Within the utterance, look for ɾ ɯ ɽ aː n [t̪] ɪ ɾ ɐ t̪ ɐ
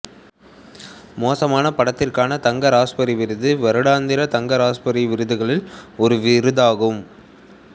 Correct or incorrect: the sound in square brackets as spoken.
incorrect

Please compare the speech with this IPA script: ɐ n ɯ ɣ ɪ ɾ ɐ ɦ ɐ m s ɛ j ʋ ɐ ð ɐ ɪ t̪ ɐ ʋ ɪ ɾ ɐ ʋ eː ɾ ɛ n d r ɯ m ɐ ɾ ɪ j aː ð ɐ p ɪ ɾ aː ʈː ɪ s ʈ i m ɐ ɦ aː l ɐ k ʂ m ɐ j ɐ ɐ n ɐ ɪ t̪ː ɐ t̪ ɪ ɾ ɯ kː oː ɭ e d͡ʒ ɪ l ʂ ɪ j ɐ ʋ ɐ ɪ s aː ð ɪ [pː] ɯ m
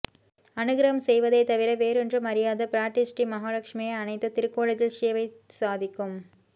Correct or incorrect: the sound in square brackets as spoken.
incorrect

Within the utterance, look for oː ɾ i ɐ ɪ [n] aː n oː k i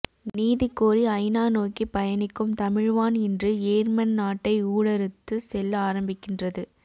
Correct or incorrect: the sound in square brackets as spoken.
correct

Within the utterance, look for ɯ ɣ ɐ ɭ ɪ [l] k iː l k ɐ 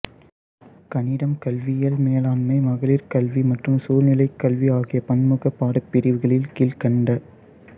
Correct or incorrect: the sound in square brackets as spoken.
correct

